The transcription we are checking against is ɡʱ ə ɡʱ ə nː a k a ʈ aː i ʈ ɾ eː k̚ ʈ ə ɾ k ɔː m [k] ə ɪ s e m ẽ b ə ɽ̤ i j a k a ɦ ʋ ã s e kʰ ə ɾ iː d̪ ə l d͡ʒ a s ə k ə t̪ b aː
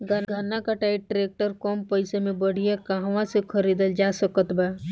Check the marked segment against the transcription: incorrect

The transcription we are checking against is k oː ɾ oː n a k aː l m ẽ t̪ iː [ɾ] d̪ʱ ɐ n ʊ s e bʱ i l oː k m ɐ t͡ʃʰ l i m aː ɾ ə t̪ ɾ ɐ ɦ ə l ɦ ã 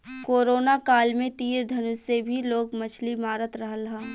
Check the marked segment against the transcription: correct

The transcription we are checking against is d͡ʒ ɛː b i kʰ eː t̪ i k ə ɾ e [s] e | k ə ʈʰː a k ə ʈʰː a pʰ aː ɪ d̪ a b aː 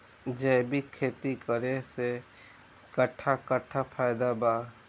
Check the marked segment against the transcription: correct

